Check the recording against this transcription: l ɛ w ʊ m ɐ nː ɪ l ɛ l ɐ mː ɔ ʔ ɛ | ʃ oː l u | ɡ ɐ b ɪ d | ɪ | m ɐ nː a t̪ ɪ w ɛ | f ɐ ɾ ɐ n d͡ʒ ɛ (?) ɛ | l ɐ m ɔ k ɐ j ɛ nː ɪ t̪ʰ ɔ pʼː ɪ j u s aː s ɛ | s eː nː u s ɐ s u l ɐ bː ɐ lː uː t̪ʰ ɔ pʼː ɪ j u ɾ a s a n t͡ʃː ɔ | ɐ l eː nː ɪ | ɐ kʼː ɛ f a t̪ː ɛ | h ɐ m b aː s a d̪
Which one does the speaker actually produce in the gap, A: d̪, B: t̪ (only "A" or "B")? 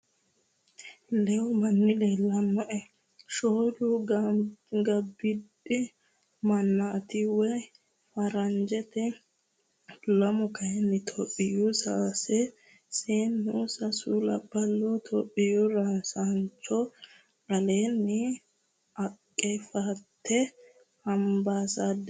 B